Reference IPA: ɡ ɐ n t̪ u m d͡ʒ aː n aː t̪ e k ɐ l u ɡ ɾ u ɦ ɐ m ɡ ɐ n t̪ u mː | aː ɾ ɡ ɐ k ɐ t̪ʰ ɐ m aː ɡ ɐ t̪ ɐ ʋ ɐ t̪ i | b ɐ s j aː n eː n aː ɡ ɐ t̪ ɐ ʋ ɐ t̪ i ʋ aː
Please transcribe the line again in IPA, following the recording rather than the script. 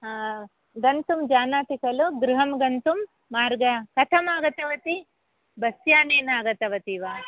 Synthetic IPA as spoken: ɡ ɐ n t̪ u m d͡ʒ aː n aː t̪ i k ɐ l u ɡ ɾ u ɦ ɐ m ɡ ɐ n t̪ u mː | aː ɾ ɡ ɐ k ɐ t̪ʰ ɐ m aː ɡ ɐ t̪ ɐ ʋ ɐ t̪ i | b ɐ s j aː n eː n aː ɡ ɐ t̪ ɐ ʋ ɐ t̪ i ʋ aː